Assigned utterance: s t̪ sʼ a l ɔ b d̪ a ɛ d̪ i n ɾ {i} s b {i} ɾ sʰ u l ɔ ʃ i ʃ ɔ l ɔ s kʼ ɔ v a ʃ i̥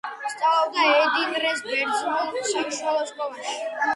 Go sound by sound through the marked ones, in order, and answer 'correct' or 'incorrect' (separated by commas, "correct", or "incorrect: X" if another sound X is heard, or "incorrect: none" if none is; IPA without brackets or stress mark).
incorrect: ɛ, incorrect: ɛ